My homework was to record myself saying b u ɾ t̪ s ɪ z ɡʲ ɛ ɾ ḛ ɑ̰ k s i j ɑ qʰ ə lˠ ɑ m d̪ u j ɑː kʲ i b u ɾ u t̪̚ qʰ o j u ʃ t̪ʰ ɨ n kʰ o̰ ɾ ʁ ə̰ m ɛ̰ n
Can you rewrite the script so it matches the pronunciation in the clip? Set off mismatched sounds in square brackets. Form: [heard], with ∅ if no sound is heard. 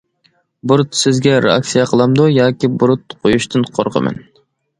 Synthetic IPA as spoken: b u ɾ t̪ s ɪ z ɡʲ ɛ ɾ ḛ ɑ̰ k s i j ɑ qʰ ə lˠ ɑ m d̪ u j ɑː kʲ i b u ɾ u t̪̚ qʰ o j u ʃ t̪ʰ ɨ n [qʰ] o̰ ɾ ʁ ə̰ m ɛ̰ n